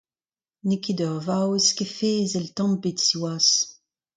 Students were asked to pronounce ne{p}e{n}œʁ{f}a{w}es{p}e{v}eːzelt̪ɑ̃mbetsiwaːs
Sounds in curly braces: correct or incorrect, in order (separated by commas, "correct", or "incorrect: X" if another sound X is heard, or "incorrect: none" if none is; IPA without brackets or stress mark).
incorrect: k, incorrect: d, incorrect: v, correct, incorrect: k, incorrect: f